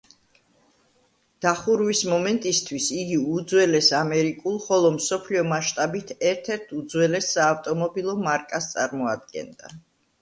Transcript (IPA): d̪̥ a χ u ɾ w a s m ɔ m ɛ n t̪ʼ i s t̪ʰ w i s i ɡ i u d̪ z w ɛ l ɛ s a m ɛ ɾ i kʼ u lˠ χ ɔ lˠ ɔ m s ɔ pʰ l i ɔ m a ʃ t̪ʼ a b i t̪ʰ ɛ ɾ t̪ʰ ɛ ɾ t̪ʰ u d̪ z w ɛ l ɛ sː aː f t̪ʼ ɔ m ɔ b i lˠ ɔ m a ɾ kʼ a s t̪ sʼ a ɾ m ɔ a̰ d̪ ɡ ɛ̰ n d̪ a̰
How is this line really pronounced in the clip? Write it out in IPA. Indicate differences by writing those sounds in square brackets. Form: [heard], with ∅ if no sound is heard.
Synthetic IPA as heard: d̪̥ a χ u ɾ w [i] s m ɔ m ɛ n t̪ʼ i s t̪ʰ w i s i ɡ i u d̪ z w ɛ l ɛ s a m ɛ ɾ i kʼ u lˠ χ ɔ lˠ ɔ m s ɔ pʰ l i ɔ m a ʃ t̪ʼ a b i t̪ʰ ɛ ɾ t̪ʰ ɛ ɾ t̪ʰ u d̪ z w ɛ l ɛ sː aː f t̪ʼ ɔ m ɔ b i lˠ ɔ m a ɾ kʼ a s t̪ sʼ a ɾ m ɔ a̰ d̪ ɡ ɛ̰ n d̪ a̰